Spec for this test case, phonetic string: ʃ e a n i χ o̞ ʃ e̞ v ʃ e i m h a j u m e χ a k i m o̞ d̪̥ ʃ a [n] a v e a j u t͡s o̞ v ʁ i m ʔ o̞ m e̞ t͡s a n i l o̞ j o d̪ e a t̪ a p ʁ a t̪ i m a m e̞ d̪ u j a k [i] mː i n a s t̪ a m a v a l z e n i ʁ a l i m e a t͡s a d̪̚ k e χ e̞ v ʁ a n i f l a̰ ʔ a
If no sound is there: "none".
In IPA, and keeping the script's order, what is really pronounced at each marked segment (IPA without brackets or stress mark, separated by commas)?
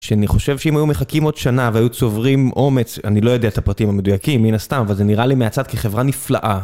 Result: n, i